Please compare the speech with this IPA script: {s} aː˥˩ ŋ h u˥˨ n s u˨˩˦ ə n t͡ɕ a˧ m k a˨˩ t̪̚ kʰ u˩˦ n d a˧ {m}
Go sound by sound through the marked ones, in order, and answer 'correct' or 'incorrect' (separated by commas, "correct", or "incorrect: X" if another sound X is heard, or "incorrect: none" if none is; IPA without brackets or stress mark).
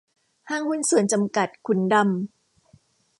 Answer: incorrect: h, correct